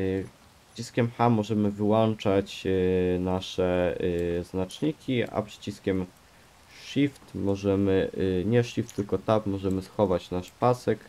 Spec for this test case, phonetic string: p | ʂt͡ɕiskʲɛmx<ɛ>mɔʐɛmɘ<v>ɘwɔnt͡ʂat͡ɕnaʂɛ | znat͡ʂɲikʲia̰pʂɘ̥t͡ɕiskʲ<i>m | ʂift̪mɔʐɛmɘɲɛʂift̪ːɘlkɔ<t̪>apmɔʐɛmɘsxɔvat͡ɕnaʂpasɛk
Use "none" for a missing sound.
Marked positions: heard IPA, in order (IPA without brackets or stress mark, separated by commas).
a, v, ɛ, t̪